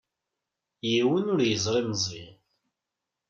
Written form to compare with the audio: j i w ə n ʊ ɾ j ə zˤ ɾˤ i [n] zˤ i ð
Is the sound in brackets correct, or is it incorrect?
incorrect